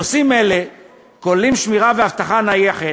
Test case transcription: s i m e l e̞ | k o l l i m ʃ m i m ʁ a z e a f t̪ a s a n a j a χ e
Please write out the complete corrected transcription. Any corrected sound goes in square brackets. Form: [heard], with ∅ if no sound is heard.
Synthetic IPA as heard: s i m e l e̞ | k o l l i m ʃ m i [∅] ʁ a [v] e a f t̪ a [χ] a n a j [e] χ e